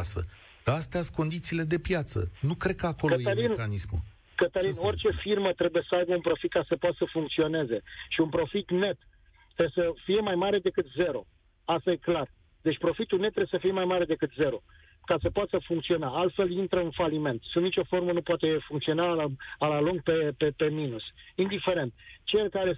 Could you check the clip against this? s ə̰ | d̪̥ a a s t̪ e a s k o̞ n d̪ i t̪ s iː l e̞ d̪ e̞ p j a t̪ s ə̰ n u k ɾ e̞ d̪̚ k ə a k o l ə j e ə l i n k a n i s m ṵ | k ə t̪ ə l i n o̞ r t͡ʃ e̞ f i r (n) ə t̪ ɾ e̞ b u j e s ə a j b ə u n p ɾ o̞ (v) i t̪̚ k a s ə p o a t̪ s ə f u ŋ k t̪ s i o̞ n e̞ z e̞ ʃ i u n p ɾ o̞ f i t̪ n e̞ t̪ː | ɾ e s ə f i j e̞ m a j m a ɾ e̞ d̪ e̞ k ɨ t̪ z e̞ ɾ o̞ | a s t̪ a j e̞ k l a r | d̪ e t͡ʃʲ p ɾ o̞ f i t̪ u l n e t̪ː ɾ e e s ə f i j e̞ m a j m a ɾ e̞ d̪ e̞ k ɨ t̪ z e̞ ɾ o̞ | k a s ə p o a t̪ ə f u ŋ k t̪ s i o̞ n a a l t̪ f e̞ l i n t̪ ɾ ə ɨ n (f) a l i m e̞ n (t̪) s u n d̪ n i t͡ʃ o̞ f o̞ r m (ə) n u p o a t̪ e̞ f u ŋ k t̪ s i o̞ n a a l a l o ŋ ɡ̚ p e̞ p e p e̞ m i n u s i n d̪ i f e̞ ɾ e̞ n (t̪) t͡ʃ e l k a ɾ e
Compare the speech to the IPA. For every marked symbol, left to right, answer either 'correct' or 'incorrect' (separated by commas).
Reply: incorrect, incorrect, correct, correct, correct, correct